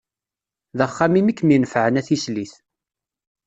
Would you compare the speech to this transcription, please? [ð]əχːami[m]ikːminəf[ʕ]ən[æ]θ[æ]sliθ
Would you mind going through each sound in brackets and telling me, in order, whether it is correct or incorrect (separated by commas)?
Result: correct, correct, correct, correct, incorrect